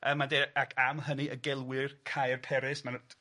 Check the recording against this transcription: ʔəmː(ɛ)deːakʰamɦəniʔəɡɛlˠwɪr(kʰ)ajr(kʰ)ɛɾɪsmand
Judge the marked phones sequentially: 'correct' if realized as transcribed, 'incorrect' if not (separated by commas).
incorrect, correct, incorrect